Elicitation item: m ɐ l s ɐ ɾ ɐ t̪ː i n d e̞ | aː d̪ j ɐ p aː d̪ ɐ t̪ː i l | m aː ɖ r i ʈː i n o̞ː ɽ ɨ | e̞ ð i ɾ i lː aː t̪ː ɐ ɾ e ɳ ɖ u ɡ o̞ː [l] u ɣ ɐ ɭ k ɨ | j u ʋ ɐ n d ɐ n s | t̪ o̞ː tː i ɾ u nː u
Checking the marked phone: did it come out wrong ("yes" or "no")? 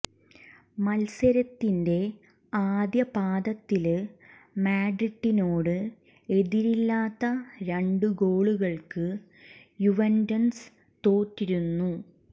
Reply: yes